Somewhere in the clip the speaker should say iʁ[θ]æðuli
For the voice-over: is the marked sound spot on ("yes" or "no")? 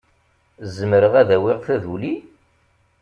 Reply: yes